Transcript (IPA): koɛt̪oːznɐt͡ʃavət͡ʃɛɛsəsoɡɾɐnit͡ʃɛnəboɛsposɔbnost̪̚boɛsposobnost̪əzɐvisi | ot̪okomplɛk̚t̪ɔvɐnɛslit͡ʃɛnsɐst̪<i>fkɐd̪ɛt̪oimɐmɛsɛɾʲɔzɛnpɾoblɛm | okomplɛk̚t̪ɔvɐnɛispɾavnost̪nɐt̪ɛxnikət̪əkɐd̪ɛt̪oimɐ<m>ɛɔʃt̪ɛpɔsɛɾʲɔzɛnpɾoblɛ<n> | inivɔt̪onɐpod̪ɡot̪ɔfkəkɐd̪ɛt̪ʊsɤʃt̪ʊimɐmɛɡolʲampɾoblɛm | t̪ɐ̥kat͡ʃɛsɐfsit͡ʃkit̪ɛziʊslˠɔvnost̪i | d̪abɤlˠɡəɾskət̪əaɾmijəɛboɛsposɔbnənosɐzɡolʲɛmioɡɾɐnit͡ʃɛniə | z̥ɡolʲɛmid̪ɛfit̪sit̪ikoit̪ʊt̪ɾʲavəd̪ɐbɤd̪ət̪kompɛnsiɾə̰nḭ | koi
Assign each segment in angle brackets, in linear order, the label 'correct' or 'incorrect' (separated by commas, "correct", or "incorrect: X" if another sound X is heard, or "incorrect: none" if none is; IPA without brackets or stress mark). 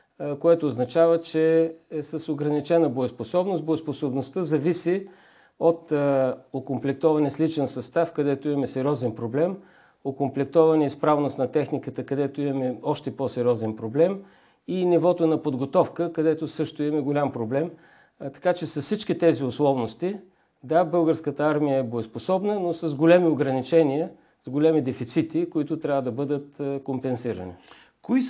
incorrect: a, correct, incorrect: m